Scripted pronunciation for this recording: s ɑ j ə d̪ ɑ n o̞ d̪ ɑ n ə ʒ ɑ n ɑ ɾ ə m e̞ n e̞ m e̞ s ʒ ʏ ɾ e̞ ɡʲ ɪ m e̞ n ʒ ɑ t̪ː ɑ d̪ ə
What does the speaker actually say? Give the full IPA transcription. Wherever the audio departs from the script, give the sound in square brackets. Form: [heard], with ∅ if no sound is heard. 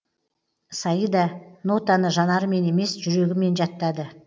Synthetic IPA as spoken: s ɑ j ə d̪ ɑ n o̞ [t̪] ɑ n ə ʒ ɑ n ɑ ɾ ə m e̞ n e̞ m e̞ s ʒ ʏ ɾ e̞ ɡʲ ɪ m e̞ n ʒ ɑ t̪ː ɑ d̪ ə

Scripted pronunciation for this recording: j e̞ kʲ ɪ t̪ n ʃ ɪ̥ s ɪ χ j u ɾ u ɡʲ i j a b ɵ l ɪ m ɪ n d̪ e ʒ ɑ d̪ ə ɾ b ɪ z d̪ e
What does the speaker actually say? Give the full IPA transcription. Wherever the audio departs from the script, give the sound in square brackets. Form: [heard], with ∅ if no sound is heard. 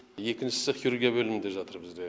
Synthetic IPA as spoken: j e̞ kʲ ɪ [∅] n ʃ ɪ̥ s ɪ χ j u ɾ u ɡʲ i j a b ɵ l ɪ m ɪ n d̪ e ʒ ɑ [t̪] ə ɾ b ɪ z d̪ e

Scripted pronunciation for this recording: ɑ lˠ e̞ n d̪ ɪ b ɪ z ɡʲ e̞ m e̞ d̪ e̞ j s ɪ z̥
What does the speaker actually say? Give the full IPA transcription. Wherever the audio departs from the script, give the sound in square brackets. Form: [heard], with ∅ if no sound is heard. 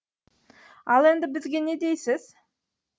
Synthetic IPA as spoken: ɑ lˠ e̞ n d̪ ɪ b ɪ z ɡʲ e̞ [n] e̞ d̪ e̞ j s ɪ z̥

